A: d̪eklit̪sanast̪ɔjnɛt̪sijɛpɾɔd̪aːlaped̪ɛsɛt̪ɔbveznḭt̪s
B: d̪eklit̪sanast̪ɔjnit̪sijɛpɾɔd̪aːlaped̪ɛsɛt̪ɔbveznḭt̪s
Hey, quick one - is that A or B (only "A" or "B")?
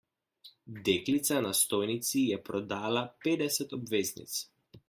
B